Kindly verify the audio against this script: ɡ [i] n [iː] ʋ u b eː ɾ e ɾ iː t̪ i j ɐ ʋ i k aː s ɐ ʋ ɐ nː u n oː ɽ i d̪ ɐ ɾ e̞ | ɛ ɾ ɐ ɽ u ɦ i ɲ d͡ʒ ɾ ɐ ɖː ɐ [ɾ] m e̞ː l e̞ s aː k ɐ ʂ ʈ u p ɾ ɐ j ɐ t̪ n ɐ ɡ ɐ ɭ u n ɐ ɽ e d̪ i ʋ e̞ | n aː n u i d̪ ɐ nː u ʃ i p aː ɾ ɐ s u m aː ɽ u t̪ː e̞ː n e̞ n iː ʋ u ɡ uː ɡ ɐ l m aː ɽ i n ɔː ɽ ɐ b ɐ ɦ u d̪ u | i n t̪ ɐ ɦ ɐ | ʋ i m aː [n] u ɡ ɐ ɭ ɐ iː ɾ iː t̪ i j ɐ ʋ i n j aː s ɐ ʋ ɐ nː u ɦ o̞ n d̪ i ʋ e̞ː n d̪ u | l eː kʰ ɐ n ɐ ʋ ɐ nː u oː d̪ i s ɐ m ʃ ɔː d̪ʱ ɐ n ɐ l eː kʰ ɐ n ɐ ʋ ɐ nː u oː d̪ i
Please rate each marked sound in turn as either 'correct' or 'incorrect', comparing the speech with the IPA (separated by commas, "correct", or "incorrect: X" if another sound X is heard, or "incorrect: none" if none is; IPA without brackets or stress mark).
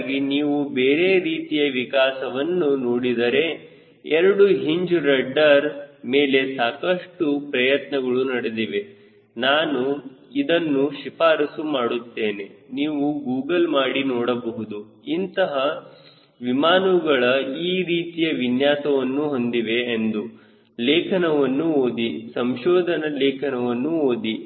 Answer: correct, correct, correct, correct